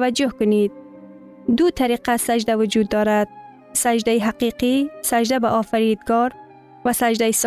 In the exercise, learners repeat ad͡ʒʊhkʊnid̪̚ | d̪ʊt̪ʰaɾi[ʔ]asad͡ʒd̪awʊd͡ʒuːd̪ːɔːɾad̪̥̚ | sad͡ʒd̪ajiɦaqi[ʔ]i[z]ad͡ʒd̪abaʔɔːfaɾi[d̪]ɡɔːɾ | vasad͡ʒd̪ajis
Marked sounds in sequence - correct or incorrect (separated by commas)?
incorrect, incorrect, incorrect, correct